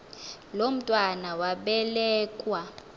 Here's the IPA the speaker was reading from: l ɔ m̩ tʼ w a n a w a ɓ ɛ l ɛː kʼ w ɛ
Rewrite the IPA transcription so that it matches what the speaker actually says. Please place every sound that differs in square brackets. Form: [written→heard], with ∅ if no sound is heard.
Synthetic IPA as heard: l [ɔ→o] m̩ tʼ w a n a w a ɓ ɛ l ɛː kʼ w [ɛ→a]